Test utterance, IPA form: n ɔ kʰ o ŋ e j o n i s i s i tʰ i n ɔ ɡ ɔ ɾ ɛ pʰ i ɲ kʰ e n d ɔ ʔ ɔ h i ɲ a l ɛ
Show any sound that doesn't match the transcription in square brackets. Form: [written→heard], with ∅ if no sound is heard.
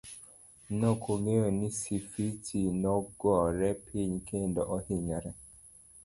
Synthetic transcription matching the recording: n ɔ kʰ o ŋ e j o n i s i [s→f] i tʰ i n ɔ ɡ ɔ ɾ ɛ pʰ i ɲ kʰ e n d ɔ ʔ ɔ h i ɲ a [l→ɾ] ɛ